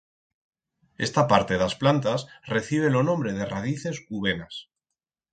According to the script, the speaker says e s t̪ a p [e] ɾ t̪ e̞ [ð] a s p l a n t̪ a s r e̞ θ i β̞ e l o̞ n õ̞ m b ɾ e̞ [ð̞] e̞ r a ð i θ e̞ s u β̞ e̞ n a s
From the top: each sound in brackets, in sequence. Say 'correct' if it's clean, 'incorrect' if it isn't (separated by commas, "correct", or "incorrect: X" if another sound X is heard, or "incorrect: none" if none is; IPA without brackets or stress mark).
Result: incorrect: a, correct, correct